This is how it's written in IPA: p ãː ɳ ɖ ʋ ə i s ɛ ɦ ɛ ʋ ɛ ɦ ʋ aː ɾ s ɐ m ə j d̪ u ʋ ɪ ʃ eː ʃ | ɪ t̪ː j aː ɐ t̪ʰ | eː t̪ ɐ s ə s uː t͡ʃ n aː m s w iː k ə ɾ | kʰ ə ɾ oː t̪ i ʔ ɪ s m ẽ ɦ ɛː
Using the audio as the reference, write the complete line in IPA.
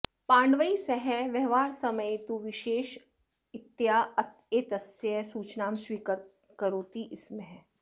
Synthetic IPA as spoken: p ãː ɳ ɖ ʋ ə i s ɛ ɦ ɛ ʋ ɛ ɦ ʋ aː ɾ s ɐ m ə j t̪ u ʋ ɪ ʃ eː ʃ | ɪ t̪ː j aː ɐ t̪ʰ | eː t̪ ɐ s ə s uː t͡ʃ n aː m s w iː k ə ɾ | k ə ɾ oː t̪ i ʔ ɪ s m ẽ ɦ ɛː